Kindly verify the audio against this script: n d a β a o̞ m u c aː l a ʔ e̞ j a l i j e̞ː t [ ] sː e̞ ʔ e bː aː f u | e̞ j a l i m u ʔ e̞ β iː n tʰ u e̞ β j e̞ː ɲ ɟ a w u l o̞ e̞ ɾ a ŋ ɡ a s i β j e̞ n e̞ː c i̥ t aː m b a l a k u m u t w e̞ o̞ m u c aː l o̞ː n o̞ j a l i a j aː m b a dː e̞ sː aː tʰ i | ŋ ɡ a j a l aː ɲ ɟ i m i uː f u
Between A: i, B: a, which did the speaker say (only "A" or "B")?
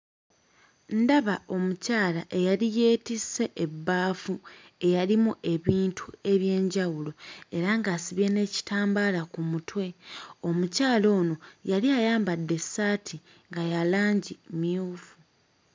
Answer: A